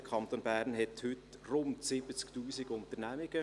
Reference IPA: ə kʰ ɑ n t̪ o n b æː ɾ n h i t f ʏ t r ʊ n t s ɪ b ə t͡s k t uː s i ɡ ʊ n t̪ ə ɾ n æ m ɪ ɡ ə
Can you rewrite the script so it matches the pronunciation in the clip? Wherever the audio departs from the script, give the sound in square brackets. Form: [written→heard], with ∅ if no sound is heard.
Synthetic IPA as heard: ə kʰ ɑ n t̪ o n b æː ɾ n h [i→ɛ] t [f→h] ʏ t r ʊ n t s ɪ b ə t͡s k t uː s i ɡ ʊ n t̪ ə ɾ n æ m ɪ ɡ ə